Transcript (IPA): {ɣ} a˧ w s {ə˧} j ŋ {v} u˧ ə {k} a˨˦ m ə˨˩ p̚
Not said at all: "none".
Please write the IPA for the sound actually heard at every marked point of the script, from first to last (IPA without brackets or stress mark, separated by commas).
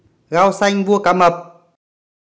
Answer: ɣ, a˧, v, k